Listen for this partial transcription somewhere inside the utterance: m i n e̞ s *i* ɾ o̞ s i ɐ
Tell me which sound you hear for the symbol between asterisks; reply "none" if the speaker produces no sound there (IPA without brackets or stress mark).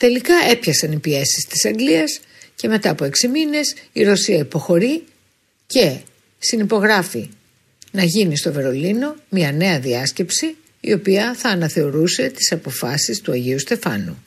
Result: i